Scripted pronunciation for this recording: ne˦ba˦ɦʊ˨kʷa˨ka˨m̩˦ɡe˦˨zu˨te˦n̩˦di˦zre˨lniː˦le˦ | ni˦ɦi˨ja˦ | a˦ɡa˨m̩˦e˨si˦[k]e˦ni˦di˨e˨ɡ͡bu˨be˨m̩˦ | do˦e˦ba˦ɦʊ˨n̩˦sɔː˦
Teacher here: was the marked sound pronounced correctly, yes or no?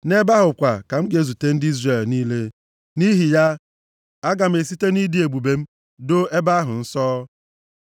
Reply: no